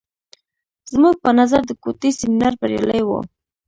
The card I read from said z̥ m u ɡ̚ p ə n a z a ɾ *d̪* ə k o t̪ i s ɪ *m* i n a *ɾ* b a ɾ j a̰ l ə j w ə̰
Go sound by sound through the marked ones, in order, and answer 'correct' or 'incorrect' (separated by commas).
correct, correct, correct